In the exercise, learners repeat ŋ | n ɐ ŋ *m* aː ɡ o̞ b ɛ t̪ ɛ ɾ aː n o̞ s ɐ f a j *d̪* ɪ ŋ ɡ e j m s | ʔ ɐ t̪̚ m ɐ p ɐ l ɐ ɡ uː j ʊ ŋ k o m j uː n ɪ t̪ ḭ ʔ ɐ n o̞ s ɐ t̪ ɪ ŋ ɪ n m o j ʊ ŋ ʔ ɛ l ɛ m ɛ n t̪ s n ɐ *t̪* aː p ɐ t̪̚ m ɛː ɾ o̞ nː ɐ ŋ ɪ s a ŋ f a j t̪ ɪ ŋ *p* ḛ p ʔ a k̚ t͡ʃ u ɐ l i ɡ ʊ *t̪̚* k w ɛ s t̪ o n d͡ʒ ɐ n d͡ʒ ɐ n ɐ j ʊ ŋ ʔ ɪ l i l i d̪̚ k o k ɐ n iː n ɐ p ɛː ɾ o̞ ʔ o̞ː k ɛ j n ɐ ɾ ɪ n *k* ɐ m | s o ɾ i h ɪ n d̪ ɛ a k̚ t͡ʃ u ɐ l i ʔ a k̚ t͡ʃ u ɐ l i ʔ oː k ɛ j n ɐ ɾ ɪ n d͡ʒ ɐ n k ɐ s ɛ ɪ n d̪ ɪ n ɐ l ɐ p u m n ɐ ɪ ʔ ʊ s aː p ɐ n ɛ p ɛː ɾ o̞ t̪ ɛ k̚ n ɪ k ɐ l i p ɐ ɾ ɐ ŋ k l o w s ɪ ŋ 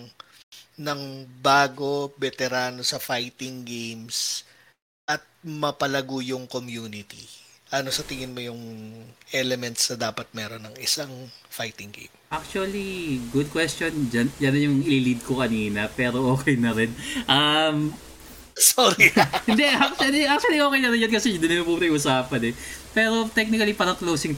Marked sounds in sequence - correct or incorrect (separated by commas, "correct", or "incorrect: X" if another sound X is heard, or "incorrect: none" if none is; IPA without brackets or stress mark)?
incorrect: b, incorrect: t̪, incorrect: d̪, incorrect: k, incorrect: d̪̚, incorrect: ʔ